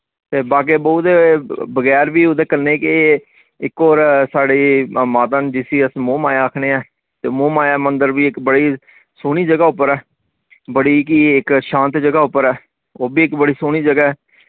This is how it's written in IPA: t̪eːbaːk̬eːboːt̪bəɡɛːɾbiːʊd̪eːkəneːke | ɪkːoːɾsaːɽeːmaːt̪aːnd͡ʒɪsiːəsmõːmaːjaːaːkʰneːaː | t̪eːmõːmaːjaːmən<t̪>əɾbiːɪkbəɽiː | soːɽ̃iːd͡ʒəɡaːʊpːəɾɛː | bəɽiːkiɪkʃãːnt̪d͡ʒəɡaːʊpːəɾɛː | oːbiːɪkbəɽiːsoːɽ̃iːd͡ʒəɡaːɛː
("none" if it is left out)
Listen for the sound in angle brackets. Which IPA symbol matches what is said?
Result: d̪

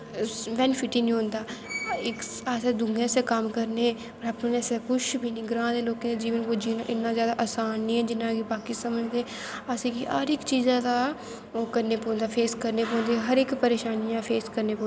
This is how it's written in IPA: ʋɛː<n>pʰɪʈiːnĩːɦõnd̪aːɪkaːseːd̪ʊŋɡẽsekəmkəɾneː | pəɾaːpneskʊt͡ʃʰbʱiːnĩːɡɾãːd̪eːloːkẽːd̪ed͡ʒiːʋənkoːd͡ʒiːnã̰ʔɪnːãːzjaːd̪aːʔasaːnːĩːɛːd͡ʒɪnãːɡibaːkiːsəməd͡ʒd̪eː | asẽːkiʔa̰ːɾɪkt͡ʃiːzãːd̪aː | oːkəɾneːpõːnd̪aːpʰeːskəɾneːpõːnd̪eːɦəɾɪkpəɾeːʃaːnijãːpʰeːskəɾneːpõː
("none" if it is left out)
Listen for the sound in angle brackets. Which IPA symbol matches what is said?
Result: n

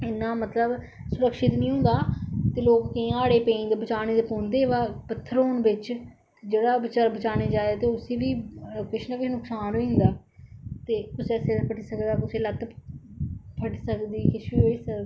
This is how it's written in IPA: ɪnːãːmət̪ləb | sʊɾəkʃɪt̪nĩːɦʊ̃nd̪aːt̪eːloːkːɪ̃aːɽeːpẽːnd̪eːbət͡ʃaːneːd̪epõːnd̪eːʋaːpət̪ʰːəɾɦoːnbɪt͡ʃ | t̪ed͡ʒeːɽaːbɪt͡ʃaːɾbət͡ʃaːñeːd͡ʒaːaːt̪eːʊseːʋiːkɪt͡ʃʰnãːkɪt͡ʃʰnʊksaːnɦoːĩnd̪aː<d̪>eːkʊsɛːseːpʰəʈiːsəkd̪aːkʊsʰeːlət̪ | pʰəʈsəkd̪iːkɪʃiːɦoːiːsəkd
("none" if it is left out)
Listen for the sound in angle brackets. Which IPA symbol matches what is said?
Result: t̪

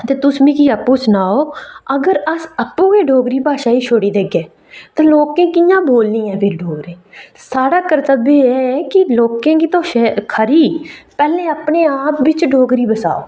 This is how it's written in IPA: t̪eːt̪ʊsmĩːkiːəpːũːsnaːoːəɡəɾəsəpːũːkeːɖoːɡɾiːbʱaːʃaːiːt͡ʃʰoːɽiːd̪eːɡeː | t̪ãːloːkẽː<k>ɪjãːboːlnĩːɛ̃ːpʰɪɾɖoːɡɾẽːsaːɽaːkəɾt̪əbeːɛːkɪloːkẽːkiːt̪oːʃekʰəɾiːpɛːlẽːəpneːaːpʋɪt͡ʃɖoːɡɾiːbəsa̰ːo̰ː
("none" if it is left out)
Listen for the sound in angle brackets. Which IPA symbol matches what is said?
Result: k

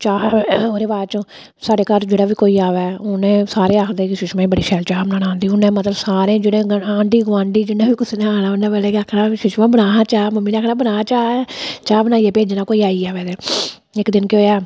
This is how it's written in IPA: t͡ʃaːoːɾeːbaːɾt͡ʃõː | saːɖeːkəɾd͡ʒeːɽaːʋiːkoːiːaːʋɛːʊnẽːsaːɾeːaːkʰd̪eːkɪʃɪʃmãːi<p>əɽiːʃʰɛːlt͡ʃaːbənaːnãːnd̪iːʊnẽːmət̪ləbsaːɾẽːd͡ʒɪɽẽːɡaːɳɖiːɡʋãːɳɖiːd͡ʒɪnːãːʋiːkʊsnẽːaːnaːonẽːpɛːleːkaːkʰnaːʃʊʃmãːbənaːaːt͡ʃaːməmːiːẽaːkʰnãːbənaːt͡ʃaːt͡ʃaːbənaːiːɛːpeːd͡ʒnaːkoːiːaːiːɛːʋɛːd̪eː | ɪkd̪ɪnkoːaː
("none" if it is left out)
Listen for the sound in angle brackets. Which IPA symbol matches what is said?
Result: b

